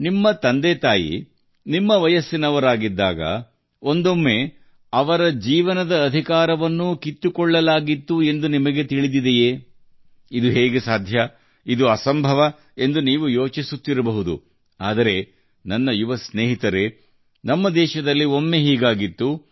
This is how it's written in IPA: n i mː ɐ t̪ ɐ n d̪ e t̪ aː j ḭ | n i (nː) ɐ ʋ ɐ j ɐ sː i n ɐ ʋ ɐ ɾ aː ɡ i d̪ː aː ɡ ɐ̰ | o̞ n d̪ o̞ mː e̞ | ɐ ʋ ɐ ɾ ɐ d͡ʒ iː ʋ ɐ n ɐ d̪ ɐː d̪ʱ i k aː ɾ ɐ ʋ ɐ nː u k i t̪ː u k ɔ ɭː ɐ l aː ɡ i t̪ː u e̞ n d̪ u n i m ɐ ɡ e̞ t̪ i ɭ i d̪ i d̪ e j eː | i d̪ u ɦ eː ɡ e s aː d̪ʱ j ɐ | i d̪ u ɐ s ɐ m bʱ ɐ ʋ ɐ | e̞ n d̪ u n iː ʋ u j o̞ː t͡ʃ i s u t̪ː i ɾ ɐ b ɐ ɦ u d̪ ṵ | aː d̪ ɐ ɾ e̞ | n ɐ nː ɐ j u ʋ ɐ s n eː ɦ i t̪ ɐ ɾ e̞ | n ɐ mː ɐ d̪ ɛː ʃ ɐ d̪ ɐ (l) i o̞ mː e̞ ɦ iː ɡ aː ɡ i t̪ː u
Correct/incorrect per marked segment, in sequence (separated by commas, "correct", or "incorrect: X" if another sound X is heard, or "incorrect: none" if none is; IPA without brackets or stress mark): incorrect: mː, incorrect: lː